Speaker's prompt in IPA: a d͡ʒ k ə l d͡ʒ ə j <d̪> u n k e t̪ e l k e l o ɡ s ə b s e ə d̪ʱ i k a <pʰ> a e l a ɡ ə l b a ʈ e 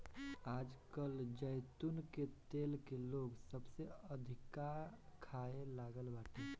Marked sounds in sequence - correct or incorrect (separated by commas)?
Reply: incorrect, incorrect